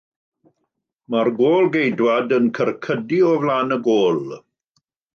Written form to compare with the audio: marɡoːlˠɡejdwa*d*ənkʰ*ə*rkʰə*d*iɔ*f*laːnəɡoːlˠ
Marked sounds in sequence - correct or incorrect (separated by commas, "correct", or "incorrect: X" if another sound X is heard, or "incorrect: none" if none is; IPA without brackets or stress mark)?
correct, correct, correct, incorrect: v